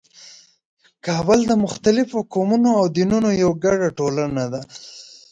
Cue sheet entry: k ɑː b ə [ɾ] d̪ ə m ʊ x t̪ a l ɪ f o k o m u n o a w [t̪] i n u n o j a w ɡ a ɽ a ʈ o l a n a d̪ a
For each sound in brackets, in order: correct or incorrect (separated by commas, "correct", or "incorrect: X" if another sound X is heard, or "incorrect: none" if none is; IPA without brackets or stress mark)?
incorrect: l, incorrect: d̪